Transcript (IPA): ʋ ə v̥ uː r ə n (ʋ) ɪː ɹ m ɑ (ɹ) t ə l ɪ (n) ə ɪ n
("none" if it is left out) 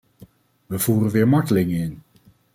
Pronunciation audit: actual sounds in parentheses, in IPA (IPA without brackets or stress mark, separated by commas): ʋ, ɹ, ŋ